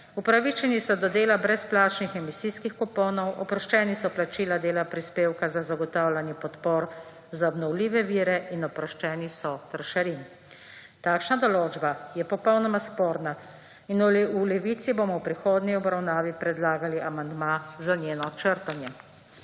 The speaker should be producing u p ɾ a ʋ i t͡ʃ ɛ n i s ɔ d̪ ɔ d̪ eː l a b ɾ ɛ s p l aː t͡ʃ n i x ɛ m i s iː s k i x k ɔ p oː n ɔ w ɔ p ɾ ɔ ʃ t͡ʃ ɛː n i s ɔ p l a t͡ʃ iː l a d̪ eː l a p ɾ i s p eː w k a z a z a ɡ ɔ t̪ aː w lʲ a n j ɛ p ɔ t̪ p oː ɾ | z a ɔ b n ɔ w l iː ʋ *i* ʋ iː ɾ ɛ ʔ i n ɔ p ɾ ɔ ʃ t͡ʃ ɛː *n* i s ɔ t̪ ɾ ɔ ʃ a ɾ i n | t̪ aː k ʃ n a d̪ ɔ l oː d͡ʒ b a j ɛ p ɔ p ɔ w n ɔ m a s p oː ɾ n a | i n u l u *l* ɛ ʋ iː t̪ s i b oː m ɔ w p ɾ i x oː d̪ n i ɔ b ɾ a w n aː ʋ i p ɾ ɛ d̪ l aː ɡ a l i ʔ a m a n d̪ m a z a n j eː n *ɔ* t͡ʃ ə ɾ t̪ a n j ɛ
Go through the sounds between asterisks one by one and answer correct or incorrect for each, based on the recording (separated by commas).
incorrect, correct, correct, correct